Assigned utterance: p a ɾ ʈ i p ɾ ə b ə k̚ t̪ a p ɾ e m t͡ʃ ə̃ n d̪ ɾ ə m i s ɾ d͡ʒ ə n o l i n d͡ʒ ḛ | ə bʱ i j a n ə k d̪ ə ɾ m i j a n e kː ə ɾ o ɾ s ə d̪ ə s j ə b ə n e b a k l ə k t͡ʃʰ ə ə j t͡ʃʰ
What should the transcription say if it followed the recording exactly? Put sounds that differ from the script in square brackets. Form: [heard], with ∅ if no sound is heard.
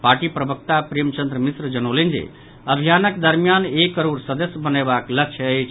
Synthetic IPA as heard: p a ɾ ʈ i p ɾ ə b ə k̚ t̪ a p ɾ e m t͡ʃ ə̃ n d̪ ɾ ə m i s ɾ d͡ʒ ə n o l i n d͡ʒ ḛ | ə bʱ i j a n ə k d̪ ə ɾ m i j a n e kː ə ɾ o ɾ s ə d̪ ə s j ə b ə n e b a k l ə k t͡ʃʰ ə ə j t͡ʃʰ